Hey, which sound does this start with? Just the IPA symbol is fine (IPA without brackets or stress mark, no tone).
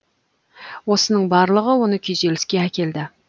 w